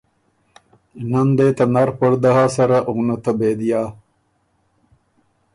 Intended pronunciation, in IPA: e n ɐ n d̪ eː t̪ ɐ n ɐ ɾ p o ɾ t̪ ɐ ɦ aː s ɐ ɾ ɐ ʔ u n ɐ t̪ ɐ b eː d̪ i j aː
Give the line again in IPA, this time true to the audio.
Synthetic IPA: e n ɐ n d̪ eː t̪ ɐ n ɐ ɾ p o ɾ d̪ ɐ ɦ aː s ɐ ɾ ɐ ʔ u n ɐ t̪ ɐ b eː d̪ i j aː